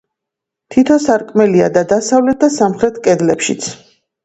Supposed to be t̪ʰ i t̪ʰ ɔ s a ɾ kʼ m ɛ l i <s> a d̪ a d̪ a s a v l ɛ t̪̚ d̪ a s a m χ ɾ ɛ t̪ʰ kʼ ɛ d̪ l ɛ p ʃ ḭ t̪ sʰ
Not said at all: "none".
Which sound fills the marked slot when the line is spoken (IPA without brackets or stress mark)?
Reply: none